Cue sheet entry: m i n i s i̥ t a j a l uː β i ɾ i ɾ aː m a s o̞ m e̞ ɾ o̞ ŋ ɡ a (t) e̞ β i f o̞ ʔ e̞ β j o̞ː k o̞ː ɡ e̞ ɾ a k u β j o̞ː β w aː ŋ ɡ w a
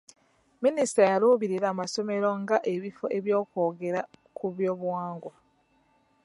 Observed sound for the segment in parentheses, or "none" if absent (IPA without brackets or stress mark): ʔ